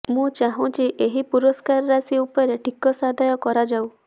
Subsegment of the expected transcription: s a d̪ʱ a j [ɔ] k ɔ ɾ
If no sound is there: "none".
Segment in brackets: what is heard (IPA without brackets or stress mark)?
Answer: ɔ